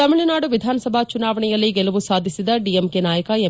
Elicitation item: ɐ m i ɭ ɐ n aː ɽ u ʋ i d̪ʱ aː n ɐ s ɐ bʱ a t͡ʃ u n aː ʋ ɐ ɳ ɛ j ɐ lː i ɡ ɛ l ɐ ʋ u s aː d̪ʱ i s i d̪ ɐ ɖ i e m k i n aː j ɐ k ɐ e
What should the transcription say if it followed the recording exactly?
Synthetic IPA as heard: ɐ m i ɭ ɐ n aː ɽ u ʋ i d̪ʱ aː n ɐ s ɐ bʱ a t͡ʃ u n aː ʋ ɐ ɳ ɛ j ɐ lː i ɡ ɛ l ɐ ʋ u s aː d̪ʱ i s i d̪ ɐ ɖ i e m k e n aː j ɐ k ɐ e